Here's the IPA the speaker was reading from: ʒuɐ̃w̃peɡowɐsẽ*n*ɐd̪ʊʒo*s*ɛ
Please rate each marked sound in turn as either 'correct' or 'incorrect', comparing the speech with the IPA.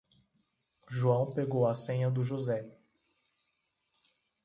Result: incorrect, incorrect

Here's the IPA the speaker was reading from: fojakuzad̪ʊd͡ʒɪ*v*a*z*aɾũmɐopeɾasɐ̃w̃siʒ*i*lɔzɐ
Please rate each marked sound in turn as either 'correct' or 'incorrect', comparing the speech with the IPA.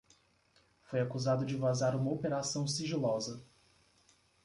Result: correct, correct, correct

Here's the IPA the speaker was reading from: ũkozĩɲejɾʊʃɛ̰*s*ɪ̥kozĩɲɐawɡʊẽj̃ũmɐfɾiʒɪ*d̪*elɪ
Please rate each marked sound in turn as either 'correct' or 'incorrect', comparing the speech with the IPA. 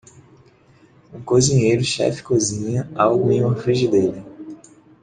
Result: incorrect, correct

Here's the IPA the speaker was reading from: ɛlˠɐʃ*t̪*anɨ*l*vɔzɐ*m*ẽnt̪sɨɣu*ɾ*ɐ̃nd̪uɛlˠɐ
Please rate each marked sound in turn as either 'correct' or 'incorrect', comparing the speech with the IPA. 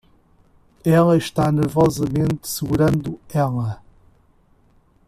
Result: correct, incorrect, correct, correct

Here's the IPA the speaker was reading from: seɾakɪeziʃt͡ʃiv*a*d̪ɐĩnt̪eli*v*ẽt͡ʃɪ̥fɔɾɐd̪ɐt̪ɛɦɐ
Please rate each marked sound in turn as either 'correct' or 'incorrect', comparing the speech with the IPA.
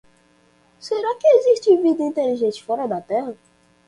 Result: incorrect, incorrect

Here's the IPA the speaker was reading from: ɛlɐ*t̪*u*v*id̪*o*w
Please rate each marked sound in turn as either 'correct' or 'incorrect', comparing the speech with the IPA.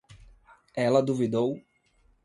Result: incorrect, correct, correct

